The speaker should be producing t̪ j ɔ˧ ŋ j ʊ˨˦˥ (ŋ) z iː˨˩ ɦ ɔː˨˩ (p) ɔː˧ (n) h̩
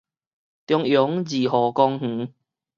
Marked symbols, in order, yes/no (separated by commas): yes, no, no